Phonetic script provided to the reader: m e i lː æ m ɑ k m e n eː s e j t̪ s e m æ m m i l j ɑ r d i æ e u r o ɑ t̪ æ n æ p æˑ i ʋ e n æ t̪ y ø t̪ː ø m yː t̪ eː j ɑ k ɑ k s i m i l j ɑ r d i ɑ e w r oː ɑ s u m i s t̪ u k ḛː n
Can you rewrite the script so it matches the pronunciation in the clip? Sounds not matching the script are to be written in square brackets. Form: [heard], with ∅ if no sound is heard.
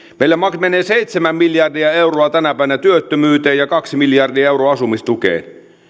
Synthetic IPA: m e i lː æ m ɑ k m e n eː s e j t̪ s e m æ m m i l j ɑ r d i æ e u r o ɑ t̪ æ n æ p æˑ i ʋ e n æ t̪ y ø t̪ː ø m yː t̪ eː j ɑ k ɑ k s i m i l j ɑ r d i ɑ e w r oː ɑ s u m i s t̪ u k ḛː n